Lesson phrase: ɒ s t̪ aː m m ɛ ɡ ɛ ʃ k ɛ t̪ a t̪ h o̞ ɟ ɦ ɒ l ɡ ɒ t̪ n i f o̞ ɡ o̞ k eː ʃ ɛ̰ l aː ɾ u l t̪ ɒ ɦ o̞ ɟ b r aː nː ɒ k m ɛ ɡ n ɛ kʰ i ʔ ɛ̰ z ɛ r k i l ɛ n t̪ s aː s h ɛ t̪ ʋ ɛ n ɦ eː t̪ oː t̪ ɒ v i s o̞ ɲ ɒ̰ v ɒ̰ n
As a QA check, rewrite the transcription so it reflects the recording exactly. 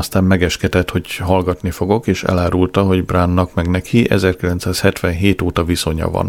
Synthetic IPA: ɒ s t̪ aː m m ɛ ɡ ɛ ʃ k ɛ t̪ ɛ t̪ h o̞ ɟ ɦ ɒ l ɡ ɒ t̪ n i f o̞ ɡ o̞ k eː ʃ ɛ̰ l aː ɾ u l t̪ ɒ ɦ o̞ ɟ b r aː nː ɒ k m ɛ ɡ n ɛ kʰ i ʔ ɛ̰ z ɛ r k i l ɛ n t̪ s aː s h ɛ t̪ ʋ ɛ n ɦ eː t̪ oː t̪ ɒ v i s o̞ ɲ ɒ̰ v ɒ̰ n